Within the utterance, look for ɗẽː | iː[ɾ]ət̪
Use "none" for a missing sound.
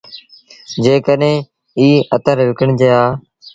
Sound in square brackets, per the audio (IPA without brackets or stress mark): none